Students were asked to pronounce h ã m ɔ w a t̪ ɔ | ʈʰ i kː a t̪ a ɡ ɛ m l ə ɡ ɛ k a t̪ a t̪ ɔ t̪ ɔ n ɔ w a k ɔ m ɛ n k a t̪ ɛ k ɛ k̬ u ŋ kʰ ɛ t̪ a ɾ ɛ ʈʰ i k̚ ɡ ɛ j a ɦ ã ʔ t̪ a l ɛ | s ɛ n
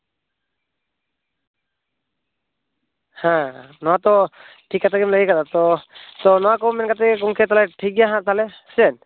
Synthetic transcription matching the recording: h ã n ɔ w a t̪ ɔ | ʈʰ i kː a t̪ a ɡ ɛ m l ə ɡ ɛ k a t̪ a t̪ ɔ t̪ ɔ n ɔ w a k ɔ m ɛ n k a t̪ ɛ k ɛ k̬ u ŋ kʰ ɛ t̪ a l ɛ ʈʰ i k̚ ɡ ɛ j a ɦ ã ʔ t̪ a l ɛ | s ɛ n